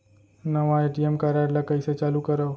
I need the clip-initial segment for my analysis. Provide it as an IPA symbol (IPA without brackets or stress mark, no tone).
n